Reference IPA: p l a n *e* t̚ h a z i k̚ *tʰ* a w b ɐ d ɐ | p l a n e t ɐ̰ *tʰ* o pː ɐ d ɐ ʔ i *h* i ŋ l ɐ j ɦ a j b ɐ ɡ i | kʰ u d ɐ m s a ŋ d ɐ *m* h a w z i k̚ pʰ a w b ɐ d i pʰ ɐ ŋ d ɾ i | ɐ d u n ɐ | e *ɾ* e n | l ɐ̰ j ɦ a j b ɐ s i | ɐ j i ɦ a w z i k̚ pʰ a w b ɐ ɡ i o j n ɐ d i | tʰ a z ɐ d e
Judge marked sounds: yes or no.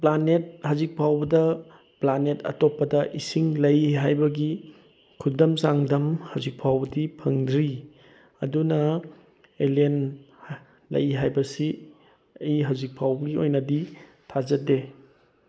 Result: yes, no, no, no, yes, no

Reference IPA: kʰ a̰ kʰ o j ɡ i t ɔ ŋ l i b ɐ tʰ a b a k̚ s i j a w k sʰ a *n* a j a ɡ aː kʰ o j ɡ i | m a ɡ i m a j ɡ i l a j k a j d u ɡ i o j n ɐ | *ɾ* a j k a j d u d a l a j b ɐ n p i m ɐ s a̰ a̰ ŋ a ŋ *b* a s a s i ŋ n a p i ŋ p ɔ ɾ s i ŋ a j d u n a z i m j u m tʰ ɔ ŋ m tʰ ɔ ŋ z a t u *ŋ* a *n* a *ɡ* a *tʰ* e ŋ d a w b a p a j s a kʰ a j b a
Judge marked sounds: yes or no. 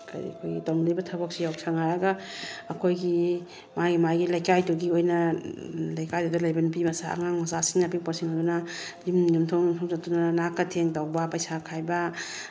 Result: no, no, no, no, yes, no, yes

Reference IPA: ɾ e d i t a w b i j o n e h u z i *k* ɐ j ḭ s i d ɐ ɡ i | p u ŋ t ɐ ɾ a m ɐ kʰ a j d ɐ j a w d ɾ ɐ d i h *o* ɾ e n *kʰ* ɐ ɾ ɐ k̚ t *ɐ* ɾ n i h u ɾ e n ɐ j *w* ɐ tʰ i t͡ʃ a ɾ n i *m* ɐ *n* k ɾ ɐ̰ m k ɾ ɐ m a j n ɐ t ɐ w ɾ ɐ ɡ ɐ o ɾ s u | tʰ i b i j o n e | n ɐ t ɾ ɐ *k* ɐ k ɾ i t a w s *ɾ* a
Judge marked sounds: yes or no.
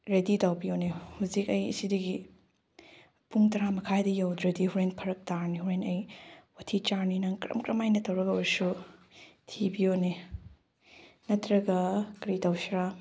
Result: yes, no, no, no, yes, no, no, no, yes

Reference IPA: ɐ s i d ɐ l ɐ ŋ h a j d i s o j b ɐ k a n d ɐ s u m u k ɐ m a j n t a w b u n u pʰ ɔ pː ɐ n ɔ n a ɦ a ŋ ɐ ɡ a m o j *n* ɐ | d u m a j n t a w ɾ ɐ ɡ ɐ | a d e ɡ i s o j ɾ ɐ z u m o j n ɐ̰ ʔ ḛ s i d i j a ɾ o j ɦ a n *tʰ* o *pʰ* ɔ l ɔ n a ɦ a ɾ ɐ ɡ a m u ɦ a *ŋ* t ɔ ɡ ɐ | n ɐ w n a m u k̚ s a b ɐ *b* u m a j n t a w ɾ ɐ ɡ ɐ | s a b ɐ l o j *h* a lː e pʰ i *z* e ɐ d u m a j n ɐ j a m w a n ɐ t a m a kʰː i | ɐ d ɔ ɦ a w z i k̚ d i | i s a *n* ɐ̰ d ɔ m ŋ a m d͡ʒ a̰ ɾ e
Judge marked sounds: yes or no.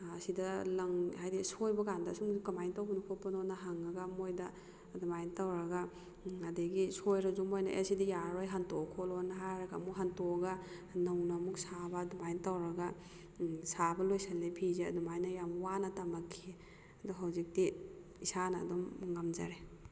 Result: no, no, no, no, no, no, yes, yes

